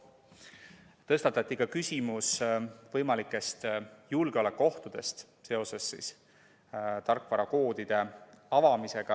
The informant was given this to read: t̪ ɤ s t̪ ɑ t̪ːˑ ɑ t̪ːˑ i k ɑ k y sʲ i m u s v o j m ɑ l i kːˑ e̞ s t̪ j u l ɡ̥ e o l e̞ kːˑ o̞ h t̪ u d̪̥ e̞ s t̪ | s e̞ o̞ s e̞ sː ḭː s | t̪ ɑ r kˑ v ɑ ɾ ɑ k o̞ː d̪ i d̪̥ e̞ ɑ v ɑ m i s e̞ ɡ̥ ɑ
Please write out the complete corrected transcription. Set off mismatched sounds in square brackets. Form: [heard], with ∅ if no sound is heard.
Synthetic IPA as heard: t̪ ɤ s t̪ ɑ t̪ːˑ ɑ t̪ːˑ i k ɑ k y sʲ i m u s v [ɤ] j m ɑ l i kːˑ e̞ s t̪ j u l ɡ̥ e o l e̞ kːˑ o̞ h t̪ u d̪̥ e̞ s t̪ | s e̞ o̞ s e̞ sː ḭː s | t̪ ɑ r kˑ v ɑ ɾ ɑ k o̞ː d̪ i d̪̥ e̞ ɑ v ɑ m i s e̞ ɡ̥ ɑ